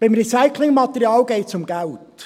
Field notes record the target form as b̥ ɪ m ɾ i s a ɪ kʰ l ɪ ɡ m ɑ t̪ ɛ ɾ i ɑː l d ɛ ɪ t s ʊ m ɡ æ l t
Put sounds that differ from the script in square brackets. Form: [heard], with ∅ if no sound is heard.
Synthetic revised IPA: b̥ ɪ m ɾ i s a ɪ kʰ l ɪ [ŋ] m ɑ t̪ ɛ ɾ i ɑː l [ɡ] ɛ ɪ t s ʊ m ɡ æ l t